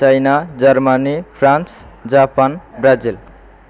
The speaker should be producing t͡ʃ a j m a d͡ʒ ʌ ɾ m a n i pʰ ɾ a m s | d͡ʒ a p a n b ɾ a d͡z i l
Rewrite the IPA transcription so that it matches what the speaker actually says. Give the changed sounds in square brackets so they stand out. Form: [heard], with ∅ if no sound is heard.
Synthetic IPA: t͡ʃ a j [n] a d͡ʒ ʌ ɾ m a n i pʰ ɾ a [n] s | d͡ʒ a p a n b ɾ a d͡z i l